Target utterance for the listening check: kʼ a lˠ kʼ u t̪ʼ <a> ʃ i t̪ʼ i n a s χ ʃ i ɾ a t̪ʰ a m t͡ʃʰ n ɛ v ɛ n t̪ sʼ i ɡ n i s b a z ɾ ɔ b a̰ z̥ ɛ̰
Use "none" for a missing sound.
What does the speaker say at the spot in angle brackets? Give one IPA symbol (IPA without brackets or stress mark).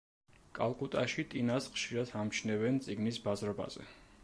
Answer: a